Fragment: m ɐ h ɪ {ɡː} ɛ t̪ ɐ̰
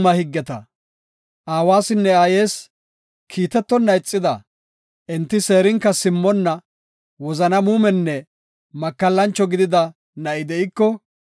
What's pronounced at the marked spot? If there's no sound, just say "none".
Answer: ɡː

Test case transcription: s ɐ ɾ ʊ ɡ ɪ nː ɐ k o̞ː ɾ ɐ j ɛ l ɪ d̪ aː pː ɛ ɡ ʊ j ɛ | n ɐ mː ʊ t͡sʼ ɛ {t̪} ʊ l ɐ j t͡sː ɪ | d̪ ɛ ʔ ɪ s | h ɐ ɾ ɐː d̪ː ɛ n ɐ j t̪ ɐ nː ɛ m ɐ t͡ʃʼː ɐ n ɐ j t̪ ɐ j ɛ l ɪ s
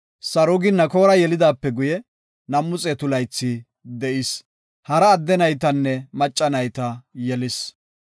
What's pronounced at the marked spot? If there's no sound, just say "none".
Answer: t̪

